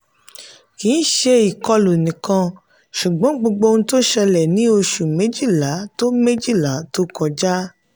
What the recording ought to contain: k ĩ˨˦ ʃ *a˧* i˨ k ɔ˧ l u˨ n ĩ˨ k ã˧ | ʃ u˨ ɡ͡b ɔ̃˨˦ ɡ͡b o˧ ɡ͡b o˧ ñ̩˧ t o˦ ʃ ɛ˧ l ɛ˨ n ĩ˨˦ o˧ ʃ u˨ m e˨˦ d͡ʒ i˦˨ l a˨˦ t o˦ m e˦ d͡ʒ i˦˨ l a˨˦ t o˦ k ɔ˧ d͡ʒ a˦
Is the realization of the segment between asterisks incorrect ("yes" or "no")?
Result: yes